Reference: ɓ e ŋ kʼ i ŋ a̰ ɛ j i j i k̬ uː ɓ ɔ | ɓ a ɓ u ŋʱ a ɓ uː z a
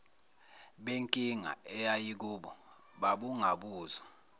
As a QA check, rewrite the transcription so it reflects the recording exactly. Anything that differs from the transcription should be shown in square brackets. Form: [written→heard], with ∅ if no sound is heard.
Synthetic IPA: ɓ e ŋ kʼ i ŋ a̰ ɛ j [i→a] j i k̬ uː ɓ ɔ | ɓ a ɓ u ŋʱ a ɓ uː z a